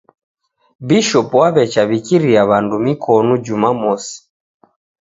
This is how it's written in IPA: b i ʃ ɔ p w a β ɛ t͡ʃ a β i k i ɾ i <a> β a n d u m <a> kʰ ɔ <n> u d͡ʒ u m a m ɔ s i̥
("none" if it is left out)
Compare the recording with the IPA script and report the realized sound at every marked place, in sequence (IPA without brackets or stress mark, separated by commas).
a, i, n